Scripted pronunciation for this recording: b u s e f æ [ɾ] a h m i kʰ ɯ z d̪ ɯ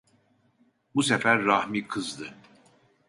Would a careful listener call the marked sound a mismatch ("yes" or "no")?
yes